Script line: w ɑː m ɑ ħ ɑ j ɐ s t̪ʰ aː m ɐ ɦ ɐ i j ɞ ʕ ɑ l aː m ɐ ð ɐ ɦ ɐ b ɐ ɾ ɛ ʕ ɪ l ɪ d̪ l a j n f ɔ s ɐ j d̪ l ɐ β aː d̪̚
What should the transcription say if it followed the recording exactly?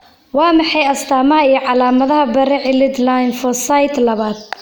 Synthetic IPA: w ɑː m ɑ ħ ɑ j ɐ s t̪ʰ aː m ɐ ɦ ɐ i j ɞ ʕ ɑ l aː m ɐ ð ɐ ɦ ɐ b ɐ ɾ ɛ ʕ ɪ l ɪ d̪ l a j n f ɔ s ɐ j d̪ l ɐ β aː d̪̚